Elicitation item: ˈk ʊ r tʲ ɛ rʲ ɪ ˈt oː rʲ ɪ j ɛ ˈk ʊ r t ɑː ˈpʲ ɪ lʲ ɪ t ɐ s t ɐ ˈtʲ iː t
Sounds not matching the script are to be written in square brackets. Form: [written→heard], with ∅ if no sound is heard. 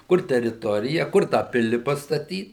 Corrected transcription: ˈk ʊ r tʲ ɛ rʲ ɪ ˈt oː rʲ ɪ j ɛ ˈk ʊ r t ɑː ˈpʲ ɪ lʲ ɪ [t→p] ɐ s t ɐ ˈtʲ iː t